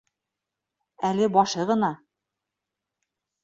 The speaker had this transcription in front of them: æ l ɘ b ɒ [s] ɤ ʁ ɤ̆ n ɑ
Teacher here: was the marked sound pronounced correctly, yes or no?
no